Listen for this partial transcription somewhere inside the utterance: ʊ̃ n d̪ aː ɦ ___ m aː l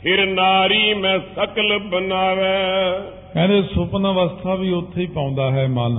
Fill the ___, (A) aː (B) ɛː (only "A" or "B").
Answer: B